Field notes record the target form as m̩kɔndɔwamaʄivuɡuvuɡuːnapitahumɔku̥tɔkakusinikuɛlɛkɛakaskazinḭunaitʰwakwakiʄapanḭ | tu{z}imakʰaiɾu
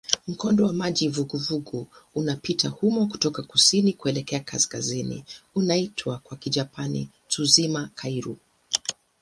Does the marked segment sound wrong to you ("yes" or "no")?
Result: no